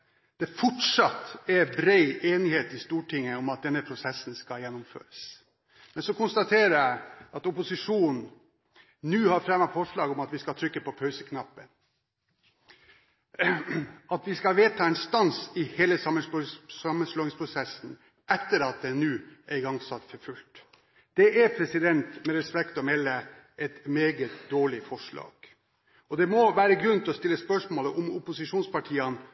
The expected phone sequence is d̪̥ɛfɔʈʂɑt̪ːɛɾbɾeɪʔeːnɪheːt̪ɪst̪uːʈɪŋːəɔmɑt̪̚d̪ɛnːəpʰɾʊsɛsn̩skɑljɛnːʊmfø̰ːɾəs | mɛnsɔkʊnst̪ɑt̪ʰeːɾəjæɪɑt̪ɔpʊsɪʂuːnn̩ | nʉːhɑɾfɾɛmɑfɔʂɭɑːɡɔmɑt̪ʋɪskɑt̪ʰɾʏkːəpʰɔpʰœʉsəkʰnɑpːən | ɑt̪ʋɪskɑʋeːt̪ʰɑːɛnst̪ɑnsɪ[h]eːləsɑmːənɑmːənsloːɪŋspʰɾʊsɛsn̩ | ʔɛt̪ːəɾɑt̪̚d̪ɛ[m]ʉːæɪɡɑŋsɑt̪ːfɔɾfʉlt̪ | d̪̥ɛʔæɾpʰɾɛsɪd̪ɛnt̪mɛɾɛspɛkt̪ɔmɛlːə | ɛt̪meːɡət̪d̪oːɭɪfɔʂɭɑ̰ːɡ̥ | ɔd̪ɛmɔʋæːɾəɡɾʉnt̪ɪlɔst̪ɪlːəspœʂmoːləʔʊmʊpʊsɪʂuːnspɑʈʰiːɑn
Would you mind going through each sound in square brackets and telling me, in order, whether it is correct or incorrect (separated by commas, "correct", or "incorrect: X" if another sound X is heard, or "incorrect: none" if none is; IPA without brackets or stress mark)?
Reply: correct, incorrect: n